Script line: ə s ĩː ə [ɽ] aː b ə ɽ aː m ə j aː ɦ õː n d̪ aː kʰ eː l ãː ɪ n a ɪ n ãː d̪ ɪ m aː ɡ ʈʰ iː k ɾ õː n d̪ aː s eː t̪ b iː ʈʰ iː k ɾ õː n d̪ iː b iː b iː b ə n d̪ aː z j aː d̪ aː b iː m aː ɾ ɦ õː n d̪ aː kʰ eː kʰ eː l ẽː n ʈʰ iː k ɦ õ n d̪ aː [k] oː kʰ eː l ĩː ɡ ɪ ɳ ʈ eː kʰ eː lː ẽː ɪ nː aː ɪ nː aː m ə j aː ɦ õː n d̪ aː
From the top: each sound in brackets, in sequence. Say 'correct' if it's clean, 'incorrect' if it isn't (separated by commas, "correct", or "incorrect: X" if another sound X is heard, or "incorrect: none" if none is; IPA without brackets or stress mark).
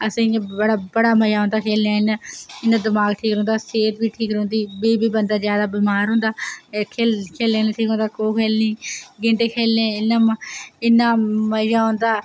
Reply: correct, correct